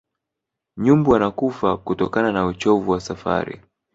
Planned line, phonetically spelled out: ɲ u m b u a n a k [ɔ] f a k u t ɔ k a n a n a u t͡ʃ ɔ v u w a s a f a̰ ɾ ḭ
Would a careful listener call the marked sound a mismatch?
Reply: yes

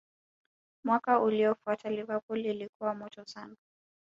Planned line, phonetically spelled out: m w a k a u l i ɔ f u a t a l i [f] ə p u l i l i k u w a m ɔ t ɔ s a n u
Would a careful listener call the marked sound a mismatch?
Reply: yes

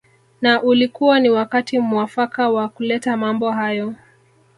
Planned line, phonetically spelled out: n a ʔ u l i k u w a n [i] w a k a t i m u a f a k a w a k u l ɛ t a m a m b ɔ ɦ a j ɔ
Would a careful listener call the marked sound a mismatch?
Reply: no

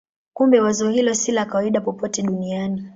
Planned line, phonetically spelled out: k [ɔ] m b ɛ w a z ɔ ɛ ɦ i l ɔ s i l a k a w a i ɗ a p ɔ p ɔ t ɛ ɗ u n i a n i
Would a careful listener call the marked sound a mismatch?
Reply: yes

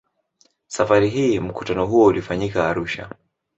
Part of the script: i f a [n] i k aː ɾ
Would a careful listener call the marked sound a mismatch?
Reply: yes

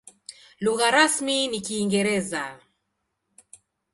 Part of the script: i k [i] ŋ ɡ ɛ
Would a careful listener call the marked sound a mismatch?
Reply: yes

